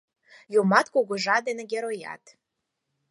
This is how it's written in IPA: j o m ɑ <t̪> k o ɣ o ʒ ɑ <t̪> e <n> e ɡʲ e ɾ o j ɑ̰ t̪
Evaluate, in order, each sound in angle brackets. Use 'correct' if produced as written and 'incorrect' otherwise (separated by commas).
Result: correct, incorrect, correct